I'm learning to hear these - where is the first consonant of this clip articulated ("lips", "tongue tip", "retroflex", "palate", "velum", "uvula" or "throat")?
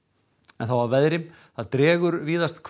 tongue tip